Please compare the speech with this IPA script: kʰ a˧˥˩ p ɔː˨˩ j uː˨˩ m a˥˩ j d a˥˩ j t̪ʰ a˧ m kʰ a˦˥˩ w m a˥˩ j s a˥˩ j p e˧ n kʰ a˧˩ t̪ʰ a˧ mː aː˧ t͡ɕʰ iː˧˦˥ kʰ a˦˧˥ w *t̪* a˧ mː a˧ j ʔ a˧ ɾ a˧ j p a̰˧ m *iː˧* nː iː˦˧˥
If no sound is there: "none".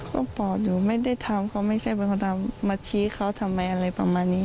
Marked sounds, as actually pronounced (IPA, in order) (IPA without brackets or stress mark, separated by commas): t̪ʰ, aː˧